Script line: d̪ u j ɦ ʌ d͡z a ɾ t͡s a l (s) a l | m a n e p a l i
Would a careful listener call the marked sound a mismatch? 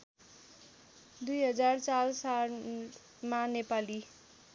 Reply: no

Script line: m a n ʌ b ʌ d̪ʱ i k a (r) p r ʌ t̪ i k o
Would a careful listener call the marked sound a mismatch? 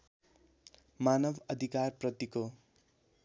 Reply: no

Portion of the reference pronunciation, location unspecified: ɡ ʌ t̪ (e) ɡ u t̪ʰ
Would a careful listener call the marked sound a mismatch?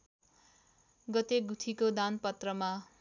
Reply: no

